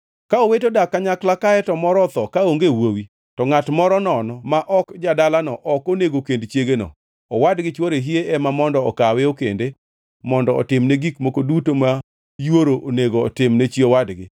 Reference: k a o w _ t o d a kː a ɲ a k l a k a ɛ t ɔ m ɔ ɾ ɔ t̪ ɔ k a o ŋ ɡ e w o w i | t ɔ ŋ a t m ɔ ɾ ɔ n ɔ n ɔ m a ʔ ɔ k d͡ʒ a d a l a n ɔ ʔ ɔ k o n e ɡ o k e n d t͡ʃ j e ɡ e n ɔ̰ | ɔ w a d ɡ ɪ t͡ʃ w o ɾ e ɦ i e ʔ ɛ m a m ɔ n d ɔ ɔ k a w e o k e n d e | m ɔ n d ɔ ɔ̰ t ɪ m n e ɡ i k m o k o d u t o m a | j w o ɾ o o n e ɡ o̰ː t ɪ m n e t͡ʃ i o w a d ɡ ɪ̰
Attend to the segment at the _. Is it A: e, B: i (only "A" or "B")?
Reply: A